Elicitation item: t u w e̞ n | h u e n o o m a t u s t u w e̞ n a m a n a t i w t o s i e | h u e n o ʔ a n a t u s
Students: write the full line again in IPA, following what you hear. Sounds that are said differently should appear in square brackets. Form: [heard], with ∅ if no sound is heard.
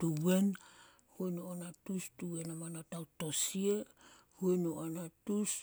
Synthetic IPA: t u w e̞ n | h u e n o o [n] a t u s t u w e̞ n a m a n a t [a] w t o s i e | h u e n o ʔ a n a t u s